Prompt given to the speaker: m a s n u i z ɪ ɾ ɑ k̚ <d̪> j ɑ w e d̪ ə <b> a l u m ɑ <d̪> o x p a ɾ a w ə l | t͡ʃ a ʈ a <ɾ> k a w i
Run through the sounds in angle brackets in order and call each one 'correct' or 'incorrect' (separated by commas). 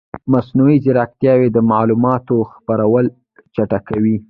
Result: incorrect, incorrect, incorrect, incorrect